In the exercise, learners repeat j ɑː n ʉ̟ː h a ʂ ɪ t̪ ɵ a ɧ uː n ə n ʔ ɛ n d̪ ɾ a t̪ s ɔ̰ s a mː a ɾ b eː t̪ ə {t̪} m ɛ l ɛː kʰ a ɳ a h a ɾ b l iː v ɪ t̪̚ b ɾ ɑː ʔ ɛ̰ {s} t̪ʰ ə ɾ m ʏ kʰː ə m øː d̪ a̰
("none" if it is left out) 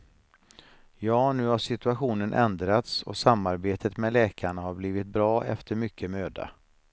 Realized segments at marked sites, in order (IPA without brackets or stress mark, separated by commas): t̪, f